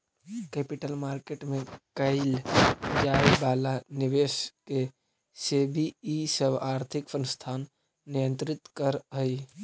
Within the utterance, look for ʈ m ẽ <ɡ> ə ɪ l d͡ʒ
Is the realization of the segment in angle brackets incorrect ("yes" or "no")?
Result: yes